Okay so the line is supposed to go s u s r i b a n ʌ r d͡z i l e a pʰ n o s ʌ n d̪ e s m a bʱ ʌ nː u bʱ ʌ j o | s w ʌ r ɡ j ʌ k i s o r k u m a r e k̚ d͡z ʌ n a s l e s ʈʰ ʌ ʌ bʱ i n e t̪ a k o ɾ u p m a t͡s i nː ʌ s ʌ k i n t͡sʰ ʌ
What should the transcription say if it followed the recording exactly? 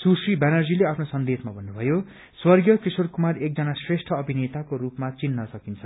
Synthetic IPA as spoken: s u s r i b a n ʌ r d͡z i l e a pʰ n o s ʌ n d̪ e s m a bʱ ʌ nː u bʱ ʌ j o | s w ʌ r ɡ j ʌ k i s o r k u m a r e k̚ d͡z ʌ n a s r e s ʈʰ ʌ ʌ bʱ i n e t̪ a k o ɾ u p m a t͡s i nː ʌ s ʌ k i n t͡sʰ ʌ